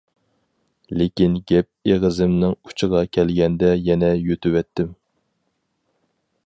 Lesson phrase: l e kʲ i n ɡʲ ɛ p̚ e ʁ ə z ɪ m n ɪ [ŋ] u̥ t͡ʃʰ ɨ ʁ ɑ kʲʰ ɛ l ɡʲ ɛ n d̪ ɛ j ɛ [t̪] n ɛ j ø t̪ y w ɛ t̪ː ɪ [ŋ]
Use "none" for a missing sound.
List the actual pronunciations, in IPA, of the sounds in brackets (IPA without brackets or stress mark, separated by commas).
ŋ, none, m